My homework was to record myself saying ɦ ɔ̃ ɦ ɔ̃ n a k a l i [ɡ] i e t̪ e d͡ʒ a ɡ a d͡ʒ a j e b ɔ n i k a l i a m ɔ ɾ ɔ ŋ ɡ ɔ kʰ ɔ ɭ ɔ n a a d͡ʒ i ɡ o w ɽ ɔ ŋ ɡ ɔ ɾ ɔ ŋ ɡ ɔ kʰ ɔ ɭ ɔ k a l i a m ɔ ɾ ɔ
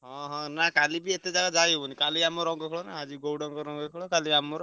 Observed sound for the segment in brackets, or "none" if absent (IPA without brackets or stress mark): b